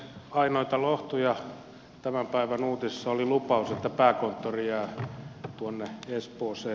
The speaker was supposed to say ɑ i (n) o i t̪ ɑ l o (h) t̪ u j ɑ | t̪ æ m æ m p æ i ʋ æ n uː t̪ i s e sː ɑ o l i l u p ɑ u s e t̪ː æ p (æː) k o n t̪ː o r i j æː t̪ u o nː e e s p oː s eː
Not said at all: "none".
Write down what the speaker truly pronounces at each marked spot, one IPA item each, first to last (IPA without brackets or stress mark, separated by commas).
n, h, æː